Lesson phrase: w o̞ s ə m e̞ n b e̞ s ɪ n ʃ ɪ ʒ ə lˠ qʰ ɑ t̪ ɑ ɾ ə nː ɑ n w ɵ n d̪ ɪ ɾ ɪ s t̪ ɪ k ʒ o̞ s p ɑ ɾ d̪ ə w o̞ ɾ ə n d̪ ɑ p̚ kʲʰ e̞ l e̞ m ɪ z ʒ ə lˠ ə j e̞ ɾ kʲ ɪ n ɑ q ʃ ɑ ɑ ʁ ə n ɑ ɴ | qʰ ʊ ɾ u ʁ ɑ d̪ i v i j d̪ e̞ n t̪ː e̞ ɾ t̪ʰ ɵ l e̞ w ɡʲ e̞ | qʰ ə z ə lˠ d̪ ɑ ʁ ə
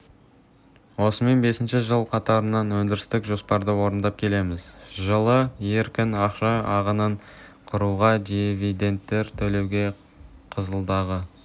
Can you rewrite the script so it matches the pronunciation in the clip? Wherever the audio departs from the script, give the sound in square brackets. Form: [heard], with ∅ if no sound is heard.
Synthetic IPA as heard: w o̞ s ə m e̞ n b e̞ s ɪ n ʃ ɪ ʒ ə lˠ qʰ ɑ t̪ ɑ ɾ ə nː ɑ n w ɵ n d̪ ɪ ɾ ɪ s t̪ ɪ k ʒ o̞ s p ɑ ɾ d̪ ə w o̞ ɾ ə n d̪ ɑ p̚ kʲʰ e̞ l e̞ m ɪ z ʒ ə lˠ ə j e̞ ɾ kʲ ɪ n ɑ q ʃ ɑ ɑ ʁ ə n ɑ ɴ | qʰ ʊ ɾ u ʁ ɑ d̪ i v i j d̪ e̞ n t̪ː e̞ ɾ t̪ʰ ɵ l e̞ w ɡʲ e̞ | qʰ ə z ə lˠ d̪ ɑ ʁ ə

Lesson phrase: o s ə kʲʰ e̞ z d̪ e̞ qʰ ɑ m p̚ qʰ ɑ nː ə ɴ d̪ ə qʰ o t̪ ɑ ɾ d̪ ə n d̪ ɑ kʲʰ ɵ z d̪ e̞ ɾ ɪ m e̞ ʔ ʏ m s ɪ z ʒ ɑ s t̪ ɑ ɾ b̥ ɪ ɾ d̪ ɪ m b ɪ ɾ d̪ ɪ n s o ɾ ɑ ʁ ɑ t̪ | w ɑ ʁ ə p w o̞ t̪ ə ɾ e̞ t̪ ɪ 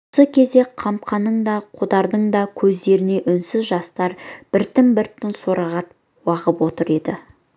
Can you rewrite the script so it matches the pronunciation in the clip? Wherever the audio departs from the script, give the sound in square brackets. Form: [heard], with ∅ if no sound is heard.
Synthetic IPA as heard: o s ə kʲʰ e̞ z d̪ e̞ qʰ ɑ m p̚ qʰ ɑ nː ə ɴ d̪ [ɑ] qʰ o [d̪] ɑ ɾ d̪ ə [ɴ] d̪ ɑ kʲʰ ɵ z d̪ e̞ ɾ ɪ [n] e̞ ʔ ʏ [n] s ɪ z ʒ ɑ s t̪ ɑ ɾ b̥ ɪ ɾ [t̪] ɪ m b ɪ ɾ [t̪] ɪ n s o ɾ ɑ ʁ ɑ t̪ | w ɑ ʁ ə p w o̞ t̪ ə ɾ e̞ [d̪] ɪ

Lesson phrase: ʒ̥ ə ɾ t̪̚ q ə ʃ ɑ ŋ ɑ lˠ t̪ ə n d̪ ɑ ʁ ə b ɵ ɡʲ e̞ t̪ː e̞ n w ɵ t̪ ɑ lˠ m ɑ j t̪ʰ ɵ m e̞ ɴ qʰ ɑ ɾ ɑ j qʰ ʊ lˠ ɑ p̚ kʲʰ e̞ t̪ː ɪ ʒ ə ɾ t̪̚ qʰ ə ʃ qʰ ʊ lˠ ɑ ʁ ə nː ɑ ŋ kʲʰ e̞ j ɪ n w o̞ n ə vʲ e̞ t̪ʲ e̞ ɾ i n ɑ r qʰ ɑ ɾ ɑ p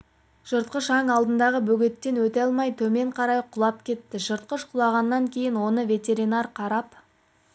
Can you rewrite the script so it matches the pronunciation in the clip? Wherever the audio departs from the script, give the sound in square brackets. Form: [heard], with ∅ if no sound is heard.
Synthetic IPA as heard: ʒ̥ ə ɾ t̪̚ q ə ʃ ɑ ŋ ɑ lˠ [d̪] ə n d̪ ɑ ʁ ə b ɵ ɡʲ e̞ t̪ː e̞ n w ɵ t̪ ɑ lˠ m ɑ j t̪ʰ ɵ m e̞ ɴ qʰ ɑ ɾ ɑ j qʰ ʊ lˠ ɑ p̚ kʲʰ e̞ t̪ː ɪ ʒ ə ɾ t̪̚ [q] ə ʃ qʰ ʊ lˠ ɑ ʁ [ɑ] nː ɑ ŋ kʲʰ e̞ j ɪ n w o̞ n ə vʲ e̞ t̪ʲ e̞ ɾ i n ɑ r qʰ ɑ ɾ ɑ p

